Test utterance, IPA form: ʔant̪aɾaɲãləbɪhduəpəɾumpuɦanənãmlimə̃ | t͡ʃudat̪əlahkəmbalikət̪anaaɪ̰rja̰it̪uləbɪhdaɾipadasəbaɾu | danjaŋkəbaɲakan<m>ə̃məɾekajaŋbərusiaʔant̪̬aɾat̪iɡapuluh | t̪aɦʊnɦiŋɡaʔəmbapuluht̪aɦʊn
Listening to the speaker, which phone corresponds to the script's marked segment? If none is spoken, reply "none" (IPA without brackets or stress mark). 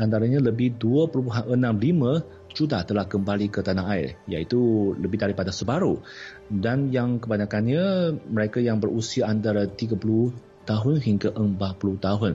ɲ